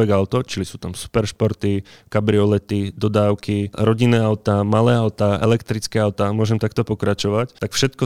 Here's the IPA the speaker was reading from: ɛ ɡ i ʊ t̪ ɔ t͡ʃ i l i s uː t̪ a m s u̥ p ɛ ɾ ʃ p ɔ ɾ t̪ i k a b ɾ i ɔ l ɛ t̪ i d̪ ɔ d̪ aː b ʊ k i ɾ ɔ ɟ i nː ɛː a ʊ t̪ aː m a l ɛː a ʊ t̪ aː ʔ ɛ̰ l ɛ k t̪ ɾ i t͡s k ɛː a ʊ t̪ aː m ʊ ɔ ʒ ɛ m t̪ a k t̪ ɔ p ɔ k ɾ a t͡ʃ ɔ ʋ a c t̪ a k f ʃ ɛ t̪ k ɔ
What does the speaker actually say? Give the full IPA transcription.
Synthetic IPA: ɛ ɡ a ʊ t̪ ɔ t͡ʃ i l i s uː t̪ a m s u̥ p ɛ ɾ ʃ p ɔ ɾ t̪ i k a b ɾ i ɔ l ɛ t̪ i d̪ ɔ d̪ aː ʊ k i ɾ ɔ ɟ i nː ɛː a ʊ t̪ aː m a l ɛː a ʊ t̪ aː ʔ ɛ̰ l ɛ k t̪ ɾ i t͡s k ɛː a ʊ t̪ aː m ʊ ɔ ʒ ɛ m t̪ a k t̪ ɔ p ɔ k ɾ a t͡ʃ ɔ ʋ a c t̪ a k f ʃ ɛ t̪ k ɔ